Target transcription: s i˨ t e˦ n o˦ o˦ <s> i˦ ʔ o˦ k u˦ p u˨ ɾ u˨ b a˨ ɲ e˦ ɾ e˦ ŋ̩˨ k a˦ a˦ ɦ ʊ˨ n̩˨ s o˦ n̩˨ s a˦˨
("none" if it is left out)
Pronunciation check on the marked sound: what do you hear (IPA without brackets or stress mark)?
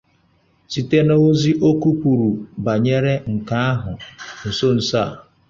z